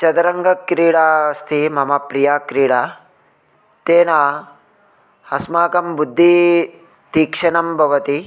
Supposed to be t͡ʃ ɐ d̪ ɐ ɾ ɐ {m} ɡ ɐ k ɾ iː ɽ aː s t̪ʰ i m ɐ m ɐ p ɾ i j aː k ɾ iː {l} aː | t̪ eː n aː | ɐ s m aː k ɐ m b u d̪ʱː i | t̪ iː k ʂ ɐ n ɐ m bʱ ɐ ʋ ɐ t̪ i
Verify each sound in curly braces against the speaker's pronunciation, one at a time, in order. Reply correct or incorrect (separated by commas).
incorrect, incorrect